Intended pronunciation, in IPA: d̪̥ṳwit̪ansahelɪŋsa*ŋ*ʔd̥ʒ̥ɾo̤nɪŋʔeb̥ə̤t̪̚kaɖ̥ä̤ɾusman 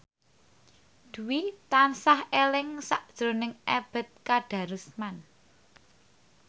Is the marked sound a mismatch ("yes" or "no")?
yes